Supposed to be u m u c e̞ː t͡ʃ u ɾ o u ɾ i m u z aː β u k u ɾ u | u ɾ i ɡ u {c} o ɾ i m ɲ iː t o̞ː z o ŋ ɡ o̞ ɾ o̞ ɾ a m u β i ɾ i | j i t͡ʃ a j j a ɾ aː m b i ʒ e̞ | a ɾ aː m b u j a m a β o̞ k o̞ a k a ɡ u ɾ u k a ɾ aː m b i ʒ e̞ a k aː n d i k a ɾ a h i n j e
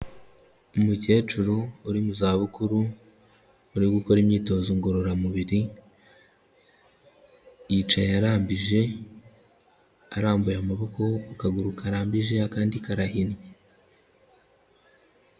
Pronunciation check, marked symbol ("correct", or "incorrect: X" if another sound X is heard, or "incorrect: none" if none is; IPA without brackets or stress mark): incorrect: k